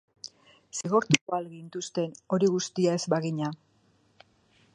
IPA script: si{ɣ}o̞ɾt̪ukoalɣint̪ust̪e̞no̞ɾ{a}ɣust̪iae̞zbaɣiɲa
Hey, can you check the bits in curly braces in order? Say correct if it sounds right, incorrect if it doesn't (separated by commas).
correct, incorrect